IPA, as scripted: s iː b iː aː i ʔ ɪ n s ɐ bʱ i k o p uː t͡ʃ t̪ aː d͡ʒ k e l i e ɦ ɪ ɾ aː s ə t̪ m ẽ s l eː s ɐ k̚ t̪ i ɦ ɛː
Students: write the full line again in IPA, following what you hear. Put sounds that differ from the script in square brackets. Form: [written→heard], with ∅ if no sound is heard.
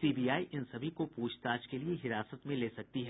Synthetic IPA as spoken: s iː b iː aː i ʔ ɪ n s ɐ bʱ i k o p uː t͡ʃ t̪ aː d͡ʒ k e l i e ɦ ɪ ɾ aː s ə t̪ m ẽ [s→∅] l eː s ɐ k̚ t̪ i ɦ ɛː